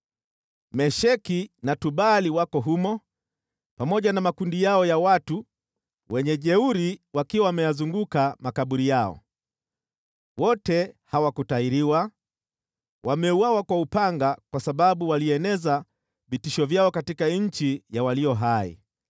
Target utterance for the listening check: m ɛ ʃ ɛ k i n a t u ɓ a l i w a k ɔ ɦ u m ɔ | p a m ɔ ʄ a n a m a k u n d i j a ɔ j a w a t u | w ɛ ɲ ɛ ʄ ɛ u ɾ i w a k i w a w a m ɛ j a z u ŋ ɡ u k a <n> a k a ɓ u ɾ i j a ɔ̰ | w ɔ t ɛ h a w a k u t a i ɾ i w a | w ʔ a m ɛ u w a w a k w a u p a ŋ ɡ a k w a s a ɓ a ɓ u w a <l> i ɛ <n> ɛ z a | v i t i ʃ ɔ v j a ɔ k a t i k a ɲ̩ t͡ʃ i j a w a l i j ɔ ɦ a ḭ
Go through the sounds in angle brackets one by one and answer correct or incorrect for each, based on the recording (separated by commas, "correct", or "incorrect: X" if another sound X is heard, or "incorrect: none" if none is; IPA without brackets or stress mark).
incorrect: m, correct, correct